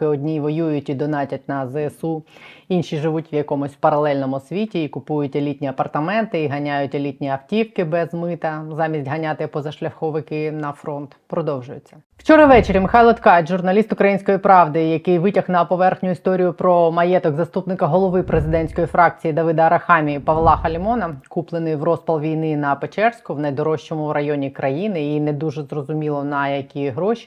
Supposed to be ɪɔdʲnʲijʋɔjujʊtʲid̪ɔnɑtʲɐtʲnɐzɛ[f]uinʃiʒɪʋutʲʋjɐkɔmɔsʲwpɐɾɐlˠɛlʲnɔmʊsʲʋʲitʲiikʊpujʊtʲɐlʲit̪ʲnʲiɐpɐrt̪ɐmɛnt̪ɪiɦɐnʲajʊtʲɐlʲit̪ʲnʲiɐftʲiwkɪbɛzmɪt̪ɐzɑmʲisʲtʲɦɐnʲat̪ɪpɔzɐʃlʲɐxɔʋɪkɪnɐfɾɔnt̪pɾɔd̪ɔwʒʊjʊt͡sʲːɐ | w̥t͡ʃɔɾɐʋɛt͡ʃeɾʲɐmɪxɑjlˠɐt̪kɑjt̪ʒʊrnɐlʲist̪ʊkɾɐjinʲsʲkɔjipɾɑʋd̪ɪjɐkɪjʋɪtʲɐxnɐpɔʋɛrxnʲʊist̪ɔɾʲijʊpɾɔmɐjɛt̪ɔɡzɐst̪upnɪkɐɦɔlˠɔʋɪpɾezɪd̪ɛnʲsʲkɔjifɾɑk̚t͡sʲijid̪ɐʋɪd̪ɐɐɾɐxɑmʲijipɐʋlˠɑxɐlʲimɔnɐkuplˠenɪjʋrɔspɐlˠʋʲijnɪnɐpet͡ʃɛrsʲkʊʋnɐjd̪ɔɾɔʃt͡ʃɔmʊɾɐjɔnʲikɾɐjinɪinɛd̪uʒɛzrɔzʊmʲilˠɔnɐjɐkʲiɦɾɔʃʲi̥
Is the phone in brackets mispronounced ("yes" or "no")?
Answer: yes